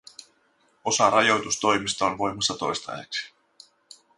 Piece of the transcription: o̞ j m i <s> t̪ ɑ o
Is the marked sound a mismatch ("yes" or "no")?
no